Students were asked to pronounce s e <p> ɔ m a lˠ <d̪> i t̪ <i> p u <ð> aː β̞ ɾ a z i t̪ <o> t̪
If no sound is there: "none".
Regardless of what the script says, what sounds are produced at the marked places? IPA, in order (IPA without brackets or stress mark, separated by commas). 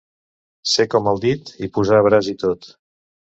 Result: k, d̪, i, z, o